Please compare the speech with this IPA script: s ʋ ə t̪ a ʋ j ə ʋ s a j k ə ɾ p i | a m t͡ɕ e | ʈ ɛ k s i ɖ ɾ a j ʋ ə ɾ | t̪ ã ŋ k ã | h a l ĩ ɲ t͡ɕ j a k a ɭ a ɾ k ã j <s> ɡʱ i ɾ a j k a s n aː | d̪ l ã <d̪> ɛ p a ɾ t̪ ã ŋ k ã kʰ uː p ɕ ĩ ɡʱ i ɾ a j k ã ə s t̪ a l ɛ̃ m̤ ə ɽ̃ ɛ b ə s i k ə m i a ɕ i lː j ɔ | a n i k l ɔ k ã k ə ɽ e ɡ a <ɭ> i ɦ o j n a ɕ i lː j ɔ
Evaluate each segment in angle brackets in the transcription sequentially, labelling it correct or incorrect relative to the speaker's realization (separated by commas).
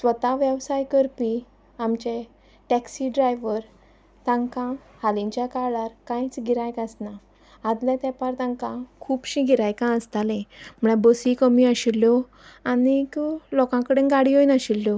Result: incorrect, incorrect, incorrect